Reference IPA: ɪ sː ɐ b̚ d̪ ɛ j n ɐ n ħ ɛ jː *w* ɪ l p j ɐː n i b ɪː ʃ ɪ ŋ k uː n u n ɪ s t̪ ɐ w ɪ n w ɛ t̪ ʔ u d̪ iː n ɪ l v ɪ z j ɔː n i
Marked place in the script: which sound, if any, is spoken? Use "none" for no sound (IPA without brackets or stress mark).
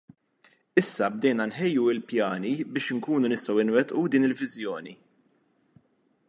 u